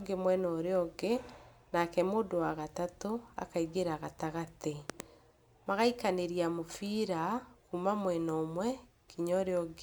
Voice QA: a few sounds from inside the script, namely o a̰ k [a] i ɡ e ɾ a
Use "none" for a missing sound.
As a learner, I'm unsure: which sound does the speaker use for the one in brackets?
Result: a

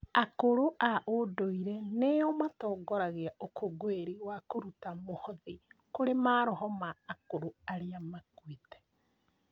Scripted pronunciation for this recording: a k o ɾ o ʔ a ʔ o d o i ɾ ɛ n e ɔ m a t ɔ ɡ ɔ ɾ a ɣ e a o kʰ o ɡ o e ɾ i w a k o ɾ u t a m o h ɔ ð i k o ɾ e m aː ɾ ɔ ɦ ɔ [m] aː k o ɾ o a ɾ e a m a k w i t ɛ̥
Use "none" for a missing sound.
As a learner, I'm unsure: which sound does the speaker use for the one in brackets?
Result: m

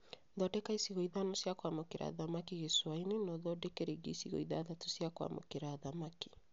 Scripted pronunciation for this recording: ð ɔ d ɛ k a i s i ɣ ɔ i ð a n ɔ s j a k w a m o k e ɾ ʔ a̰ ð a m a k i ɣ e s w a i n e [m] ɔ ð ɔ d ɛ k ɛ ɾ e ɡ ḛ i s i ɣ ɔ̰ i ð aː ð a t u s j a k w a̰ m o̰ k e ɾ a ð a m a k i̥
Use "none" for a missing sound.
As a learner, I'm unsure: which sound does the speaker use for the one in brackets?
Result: n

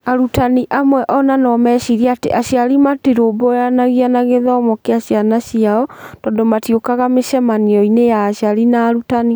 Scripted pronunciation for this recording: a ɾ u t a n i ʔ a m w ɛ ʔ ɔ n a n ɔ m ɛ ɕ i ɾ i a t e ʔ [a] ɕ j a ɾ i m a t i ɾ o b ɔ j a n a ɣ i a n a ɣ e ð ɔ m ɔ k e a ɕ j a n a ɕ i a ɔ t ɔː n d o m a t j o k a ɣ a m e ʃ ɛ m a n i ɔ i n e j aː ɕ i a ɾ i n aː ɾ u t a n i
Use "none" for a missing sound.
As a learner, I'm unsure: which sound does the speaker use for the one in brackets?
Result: a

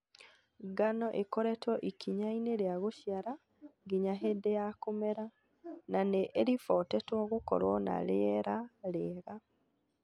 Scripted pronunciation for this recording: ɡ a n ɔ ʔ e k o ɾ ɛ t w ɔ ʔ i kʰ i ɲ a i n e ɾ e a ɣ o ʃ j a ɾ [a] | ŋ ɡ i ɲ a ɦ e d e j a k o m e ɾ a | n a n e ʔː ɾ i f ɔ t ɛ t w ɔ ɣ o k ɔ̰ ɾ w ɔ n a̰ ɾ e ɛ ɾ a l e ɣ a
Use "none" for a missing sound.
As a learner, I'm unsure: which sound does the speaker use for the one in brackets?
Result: a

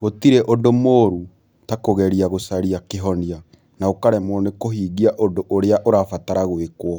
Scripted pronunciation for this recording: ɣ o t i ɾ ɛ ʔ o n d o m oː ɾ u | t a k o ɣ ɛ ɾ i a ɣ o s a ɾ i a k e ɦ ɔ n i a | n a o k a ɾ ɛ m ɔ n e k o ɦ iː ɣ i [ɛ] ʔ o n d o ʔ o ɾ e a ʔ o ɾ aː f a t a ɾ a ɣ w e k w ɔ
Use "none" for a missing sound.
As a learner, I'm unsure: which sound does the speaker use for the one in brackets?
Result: a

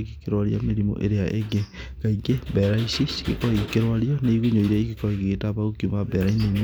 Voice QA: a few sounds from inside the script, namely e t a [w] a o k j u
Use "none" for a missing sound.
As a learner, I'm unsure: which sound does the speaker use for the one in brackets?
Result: β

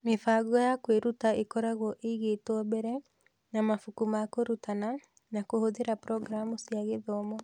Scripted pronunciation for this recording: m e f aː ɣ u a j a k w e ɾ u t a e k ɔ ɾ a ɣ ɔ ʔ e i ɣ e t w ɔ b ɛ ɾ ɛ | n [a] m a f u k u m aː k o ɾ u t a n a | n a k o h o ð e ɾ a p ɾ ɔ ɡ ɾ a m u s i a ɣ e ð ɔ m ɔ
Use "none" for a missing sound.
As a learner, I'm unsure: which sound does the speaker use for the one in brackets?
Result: a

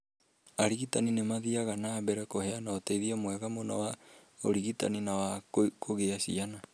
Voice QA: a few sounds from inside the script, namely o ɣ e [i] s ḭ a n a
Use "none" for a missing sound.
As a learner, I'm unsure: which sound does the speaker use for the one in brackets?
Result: a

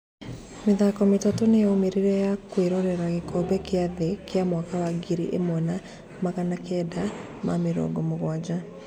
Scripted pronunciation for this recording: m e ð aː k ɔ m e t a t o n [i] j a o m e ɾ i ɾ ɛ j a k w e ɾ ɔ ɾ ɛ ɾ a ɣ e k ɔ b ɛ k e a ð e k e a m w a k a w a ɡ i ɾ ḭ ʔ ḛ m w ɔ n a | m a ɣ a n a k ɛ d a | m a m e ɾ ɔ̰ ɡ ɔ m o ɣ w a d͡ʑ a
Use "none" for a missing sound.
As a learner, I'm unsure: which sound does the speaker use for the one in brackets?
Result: e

